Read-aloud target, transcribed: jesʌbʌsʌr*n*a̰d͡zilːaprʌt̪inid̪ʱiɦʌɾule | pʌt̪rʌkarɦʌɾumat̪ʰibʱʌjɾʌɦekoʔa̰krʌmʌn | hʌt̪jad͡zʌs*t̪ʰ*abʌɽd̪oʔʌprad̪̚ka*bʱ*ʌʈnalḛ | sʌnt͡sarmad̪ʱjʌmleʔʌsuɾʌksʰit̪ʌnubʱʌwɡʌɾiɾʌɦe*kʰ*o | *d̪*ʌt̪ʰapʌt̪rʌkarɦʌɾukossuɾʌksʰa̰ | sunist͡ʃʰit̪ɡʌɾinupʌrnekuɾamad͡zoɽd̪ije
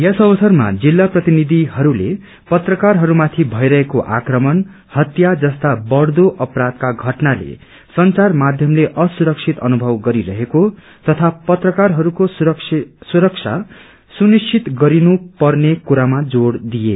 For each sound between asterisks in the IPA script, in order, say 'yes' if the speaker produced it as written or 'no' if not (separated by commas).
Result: no, no, no, no, no